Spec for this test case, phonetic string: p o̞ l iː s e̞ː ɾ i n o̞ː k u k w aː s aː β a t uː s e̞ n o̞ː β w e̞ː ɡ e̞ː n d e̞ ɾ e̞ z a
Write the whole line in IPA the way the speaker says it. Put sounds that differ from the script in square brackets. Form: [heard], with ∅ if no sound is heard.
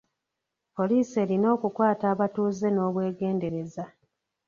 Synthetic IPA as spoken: p o̞ l iː s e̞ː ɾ i n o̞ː k u k w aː [t] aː β a t uː [z] e̞ n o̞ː β w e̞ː ɡ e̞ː n d e̞ ɾ e̞ z a